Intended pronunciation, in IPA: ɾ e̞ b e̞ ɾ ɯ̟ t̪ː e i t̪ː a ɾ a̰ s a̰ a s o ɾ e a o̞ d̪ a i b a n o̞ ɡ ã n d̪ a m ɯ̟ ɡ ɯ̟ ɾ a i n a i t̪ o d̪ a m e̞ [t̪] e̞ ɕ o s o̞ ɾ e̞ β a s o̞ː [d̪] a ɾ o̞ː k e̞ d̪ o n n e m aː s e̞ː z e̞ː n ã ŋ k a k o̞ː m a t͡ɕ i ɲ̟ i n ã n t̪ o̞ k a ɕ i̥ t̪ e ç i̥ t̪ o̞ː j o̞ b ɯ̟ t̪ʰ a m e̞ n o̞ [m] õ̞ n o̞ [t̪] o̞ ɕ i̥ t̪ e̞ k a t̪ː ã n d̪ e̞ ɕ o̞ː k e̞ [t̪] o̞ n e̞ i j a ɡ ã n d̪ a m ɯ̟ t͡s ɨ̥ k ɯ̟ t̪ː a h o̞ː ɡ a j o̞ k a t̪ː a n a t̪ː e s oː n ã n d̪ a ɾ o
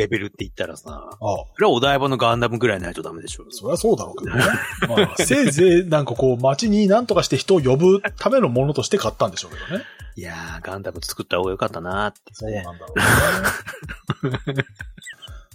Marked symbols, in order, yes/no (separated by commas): no, yes, yes, yes, no